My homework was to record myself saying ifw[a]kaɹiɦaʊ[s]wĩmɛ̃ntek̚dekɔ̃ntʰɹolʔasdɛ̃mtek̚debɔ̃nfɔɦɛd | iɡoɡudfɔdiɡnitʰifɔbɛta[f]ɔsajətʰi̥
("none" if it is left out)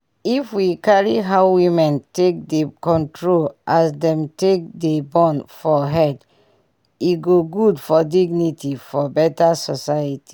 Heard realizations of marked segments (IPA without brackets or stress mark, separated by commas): i, none, s